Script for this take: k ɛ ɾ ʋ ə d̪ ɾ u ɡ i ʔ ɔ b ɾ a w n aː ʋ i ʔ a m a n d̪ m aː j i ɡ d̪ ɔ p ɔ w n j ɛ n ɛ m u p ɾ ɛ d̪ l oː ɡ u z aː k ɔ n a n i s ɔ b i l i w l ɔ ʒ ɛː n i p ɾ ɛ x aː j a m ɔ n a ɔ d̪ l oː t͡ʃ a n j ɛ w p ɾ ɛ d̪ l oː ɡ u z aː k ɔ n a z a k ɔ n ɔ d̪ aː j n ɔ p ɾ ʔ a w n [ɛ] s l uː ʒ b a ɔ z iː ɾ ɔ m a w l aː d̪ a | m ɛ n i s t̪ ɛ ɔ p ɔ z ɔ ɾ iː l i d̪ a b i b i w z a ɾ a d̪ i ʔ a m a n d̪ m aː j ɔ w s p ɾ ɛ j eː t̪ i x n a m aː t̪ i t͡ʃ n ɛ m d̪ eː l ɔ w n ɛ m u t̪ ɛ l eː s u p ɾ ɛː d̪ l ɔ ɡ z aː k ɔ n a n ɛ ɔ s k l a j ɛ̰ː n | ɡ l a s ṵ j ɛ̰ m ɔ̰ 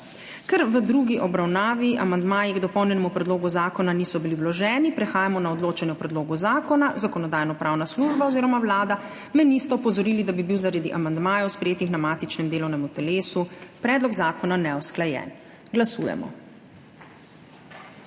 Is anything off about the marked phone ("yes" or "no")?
yes